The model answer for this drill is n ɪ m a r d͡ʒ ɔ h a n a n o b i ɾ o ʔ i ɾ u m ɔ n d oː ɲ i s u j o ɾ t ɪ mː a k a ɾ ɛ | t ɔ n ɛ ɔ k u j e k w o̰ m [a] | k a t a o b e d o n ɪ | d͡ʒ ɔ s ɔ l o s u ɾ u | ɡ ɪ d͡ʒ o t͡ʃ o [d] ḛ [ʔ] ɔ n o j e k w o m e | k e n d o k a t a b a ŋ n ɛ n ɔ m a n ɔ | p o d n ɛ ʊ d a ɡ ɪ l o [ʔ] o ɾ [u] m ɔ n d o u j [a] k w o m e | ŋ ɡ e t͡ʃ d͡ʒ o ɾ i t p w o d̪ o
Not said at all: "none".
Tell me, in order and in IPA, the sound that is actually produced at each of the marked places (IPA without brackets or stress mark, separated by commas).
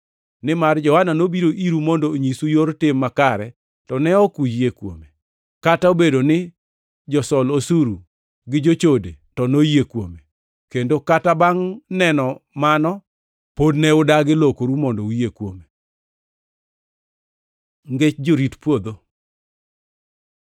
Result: e, d, t, k, u, e